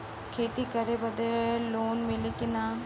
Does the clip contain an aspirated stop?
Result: yes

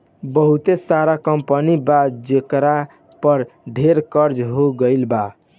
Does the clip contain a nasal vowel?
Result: no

